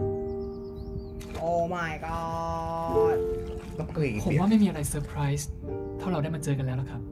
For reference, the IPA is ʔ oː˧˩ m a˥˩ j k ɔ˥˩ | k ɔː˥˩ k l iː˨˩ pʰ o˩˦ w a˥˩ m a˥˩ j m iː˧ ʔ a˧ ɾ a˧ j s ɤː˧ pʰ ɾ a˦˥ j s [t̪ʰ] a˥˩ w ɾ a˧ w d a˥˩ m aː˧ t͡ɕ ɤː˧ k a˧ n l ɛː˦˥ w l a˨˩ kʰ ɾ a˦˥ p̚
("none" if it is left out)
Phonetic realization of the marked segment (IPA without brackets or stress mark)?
t̪ʰ